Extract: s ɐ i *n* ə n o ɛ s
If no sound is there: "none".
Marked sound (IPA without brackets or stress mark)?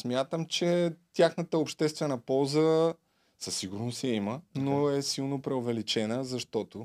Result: m